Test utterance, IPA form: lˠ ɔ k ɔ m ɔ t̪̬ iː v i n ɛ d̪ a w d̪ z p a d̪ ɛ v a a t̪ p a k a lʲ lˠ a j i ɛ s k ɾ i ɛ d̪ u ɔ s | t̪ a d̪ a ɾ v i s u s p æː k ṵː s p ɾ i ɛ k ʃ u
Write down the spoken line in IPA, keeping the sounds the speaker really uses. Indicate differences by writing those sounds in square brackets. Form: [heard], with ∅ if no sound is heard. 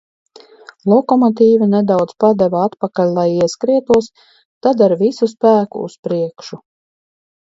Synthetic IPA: lˠ ɔ k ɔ m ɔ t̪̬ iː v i n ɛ d̪ a w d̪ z p a d̪ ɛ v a a t̪ p a k a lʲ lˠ a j i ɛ s k ɾ i ɛ [t̪] u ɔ s | t̪ a d̪ a ɾ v i s u s p æː k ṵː s p ɾ i ɛ k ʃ u